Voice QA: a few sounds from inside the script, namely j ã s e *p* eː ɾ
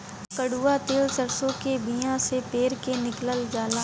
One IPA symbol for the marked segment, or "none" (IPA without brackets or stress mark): p